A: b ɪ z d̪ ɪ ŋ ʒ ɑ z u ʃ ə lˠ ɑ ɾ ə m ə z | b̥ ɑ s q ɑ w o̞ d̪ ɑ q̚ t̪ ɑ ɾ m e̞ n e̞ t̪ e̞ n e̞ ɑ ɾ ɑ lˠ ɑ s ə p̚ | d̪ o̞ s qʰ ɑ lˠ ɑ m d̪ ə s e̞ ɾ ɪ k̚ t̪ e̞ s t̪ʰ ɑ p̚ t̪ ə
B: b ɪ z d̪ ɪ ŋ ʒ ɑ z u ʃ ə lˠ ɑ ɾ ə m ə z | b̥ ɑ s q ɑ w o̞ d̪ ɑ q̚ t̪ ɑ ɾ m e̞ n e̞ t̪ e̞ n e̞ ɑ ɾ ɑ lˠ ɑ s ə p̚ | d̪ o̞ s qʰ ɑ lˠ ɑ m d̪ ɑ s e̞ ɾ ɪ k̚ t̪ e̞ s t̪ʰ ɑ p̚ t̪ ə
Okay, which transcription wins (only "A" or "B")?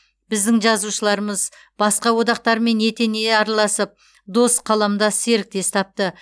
B